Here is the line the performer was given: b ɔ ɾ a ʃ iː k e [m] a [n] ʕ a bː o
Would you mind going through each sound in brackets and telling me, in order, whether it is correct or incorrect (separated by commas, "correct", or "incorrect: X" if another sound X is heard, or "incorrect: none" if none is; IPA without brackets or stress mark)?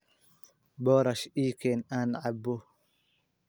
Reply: incorrect: n, correct